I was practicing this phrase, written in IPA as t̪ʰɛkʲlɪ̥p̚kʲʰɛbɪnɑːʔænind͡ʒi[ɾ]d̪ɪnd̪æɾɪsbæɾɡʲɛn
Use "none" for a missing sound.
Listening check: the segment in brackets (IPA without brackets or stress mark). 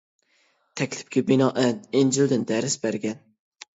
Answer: l